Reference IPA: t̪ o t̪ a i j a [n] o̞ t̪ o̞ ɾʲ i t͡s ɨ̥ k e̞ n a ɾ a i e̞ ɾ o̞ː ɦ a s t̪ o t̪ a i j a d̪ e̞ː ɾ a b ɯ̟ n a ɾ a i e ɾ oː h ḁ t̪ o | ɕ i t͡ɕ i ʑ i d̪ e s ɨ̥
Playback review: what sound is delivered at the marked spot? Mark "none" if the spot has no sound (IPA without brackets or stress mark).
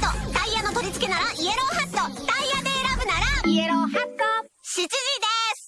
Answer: n